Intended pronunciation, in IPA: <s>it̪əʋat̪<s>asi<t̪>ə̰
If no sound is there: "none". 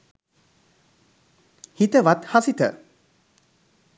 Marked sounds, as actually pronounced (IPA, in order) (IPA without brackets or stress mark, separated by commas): h, h, t̪